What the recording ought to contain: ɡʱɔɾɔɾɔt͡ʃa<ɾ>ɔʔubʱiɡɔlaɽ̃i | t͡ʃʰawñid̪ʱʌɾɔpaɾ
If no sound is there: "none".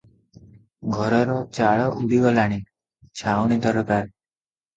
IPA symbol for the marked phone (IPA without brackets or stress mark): ɭ